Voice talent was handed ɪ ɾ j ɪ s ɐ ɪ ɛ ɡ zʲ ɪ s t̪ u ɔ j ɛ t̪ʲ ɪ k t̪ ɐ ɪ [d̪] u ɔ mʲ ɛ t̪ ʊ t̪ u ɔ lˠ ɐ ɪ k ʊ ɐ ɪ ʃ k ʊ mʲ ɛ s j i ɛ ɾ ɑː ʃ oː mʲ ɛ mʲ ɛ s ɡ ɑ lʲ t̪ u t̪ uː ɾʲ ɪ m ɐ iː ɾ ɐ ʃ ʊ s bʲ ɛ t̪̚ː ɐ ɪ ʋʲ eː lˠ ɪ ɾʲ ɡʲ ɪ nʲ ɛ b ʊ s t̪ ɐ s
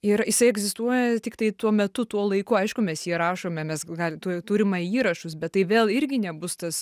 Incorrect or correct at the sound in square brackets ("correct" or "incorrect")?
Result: incorrect